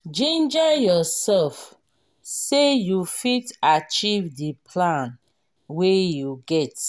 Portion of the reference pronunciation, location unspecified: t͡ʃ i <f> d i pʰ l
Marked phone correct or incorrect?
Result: incorrect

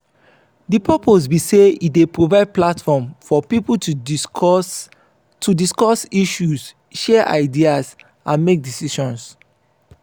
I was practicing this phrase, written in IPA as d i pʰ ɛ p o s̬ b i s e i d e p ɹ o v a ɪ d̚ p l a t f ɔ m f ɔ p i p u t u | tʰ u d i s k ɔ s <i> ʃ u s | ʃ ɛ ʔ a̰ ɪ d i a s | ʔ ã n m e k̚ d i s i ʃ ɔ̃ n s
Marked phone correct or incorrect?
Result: correct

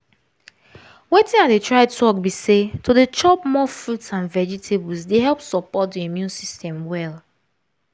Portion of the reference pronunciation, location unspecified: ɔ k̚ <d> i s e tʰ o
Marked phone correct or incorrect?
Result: incorrect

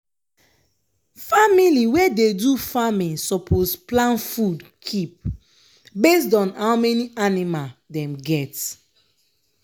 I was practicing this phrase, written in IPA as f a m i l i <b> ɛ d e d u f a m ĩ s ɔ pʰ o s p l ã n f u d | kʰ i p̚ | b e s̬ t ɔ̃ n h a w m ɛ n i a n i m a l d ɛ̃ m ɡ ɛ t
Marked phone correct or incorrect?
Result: incorrect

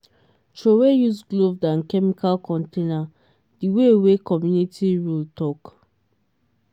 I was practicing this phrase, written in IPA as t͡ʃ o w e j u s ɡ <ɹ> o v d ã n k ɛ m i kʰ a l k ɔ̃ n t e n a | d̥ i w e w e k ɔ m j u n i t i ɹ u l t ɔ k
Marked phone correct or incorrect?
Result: incorrect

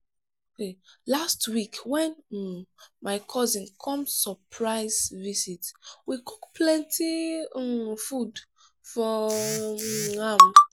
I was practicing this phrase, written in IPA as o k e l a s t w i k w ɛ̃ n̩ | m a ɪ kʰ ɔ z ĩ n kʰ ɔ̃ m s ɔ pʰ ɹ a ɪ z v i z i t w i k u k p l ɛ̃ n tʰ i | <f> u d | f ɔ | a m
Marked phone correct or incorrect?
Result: correct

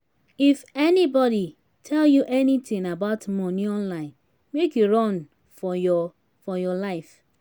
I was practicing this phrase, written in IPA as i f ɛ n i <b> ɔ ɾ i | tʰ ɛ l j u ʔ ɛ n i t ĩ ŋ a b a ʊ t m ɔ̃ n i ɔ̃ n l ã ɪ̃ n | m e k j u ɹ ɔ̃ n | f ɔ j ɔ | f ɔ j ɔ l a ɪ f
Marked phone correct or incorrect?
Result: correct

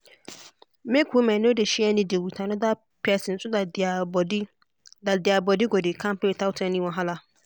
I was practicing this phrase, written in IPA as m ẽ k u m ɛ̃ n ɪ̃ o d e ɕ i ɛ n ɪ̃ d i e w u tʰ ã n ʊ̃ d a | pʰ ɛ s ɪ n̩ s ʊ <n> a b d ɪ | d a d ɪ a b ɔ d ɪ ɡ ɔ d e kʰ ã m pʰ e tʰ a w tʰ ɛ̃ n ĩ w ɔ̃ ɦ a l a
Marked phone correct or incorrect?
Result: incorrect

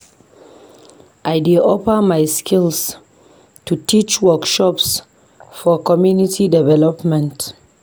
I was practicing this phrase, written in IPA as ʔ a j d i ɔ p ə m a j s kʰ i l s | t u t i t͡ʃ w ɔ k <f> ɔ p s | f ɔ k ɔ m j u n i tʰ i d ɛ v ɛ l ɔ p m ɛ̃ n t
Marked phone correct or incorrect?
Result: incorrect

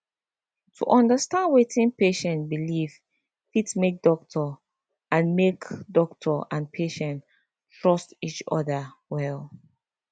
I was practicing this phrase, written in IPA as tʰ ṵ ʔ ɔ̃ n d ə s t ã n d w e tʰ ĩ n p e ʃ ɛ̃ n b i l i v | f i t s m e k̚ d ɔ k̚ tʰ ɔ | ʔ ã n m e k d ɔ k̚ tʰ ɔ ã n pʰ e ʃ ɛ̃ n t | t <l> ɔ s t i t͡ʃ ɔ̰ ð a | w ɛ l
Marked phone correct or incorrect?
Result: incorrect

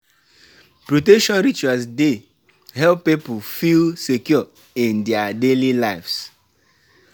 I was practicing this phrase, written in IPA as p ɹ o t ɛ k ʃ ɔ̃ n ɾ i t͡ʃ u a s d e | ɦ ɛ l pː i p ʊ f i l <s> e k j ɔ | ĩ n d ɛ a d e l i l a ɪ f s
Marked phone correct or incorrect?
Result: correct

